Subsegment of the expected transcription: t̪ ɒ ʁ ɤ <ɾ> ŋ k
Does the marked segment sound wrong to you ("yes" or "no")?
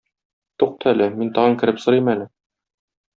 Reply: yes